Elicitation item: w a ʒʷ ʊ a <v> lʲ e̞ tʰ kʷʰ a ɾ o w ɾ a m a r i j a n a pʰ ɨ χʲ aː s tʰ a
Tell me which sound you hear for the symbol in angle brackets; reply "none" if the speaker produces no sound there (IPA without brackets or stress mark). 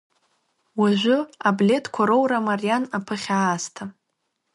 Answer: b